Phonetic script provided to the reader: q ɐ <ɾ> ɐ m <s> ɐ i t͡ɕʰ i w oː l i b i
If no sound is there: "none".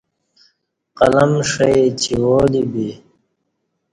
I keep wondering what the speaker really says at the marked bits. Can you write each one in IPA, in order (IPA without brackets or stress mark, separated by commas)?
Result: l, ʂ